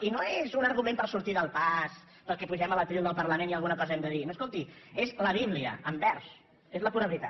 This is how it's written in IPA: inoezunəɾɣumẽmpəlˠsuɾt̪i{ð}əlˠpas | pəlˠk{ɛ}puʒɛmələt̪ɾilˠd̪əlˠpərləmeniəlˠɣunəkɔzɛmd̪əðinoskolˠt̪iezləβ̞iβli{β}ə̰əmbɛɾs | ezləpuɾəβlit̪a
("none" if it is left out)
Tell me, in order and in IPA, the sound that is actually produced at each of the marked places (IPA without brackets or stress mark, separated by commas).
ð, ɛ, none